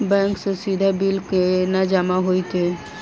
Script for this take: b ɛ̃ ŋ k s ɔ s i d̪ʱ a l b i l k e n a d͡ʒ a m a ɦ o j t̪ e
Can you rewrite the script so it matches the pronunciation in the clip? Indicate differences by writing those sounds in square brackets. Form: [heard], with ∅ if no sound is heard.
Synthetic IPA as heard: b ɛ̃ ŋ k s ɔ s i d̪ʱ a [∅] b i l k e n a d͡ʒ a m a ɦ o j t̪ e